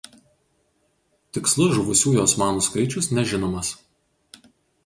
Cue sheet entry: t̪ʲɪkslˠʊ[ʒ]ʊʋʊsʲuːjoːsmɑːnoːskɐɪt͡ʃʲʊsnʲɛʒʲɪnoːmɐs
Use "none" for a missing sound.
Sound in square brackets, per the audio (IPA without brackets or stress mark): ʒ